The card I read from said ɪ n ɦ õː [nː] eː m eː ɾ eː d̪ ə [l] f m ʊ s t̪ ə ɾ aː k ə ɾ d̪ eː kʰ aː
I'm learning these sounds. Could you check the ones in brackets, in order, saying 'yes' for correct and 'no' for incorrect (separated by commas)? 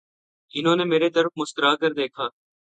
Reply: no, no